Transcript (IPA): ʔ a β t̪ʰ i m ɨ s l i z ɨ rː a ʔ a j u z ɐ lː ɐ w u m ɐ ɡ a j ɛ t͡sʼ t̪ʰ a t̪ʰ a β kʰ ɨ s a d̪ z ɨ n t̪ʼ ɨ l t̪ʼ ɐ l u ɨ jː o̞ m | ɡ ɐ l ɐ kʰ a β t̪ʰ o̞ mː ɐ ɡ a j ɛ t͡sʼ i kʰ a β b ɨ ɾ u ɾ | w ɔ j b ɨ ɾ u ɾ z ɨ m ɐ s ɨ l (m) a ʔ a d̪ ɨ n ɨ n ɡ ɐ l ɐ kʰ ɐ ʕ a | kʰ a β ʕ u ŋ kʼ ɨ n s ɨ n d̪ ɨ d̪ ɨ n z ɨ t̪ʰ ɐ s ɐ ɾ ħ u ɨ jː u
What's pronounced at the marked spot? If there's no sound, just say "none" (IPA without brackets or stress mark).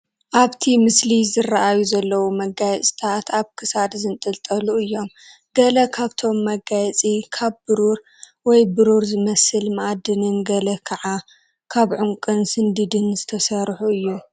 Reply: m